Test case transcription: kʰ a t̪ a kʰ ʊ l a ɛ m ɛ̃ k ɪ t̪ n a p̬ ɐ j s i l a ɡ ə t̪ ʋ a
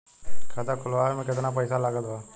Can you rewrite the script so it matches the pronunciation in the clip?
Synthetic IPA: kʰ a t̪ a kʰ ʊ l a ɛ m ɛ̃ k ɪ t̪ n a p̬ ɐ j s a l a ɡ ə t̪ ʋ a